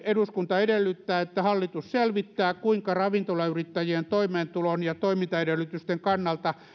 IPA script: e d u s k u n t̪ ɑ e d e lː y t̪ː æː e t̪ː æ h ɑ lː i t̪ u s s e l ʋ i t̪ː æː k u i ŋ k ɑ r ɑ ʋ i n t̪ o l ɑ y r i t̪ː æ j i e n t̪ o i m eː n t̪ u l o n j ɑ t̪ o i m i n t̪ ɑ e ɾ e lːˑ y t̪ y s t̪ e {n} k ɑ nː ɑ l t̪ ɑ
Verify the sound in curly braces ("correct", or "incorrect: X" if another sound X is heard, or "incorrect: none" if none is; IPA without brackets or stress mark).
incorrect: ŋ